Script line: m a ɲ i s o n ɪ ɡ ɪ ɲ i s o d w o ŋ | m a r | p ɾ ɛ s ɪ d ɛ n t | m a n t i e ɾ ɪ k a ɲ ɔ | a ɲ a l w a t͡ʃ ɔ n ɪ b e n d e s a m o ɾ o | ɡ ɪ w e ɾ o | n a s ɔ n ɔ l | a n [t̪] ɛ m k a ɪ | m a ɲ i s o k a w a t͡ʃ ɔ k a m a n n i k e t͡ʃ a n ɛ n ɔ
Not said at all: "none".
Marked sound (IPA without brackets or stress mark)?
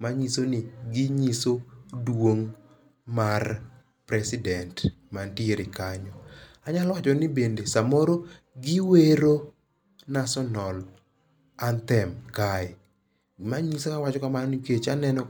t̪